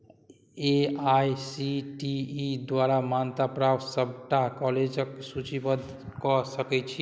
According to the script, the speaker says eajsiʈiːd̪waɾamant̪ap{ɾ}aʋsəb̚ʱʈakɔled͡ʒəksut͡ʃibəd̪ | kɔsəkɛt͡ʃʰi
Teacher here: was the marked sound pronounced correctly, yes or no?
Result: yes